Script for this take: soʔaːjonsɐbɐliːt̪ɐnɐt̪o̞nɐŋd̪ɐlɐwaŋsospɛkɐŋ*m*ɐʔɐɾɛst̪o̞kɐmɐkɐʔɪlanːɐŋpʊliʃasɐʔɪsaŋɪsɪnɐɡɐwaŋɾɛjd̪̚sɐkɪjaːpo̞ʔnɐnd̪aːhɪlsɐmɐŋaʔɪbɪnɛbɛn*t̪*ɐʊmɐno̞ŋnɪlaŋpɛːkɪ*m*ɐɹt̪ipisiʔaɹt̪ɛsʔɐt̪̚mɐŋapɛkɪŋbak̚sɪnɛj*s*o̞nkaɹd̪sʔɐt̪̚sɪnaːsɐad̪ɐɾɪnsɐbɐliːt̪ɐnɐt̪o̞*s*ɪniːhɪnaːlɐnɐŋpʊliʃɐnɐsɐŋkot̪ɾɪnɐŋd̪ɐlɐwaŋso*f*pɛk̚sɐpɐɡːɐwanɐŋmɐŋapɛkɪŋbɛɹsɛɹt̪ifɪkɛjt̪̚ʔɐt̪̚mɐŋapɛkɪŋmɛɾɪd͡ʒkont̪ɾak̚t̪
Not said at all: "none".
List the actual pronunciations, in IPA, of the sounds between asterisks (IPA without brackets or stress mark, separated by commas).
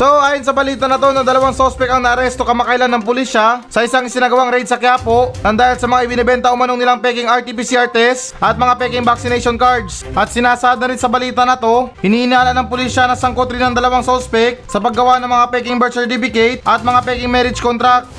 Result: n, t̪, ŋ, ʃ, h, s